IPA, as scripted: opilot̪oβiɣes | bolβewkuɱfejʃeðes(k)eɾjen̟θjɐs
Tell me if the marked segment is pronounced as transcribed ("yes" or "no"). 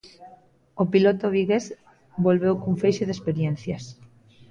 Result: no